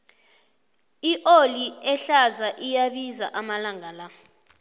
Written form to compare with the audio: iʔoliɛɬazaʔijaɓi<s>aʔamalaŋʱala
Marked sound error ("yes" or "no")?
yes